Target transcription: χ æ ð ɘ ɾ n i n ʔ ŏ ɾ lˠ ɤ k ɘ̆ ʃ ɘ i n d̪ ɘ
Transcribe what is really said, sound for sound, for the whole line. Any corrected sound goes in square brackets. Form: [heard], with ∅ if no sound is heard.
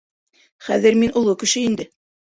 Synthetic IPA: χ æ ð ɘ ɾ [m] i n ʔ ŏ [∅] lˠ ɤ k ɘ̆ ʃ ɘ i n d̪ ɘ